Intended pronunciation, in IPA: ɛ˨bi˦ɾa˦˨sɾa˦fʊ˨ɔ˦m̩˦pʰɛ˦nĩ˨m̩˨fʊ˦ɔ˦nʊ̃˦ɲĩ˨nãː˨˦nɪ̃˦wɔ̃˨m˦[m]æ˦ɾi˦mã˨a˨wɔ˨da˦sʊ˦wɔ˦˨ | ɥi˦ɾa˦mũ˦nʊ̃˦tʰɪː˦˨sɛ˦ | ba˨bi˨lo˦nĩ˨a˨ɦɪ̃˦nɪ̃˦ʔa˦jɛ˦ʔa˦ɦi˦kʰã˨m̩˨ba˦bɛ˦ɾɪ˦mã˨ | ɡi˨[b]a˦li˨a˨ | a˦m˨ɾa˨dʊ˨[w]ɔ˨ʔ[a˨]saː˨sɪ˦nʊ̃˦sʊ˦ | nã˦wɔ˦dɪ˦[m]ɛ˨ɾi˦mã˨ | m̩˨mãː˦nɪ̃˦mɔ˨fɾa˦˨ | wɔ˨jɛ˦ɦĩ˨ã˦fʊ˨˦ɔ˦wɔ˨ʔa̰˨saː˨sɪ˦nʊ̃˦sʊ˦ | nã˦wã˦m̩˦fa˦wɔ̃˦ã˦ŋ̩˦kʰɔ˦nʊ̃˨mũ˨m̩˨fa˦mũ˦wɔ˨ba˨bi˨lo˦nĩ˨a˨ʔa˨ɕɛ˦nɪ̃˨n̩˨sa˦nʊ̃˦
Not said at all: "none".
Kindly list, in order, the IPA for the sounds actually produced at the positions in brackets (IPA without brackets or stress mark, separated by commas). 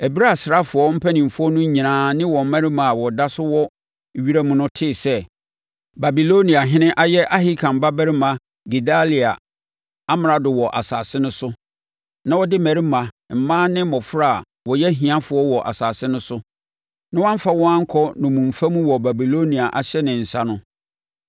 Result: m, d, w, a˨, m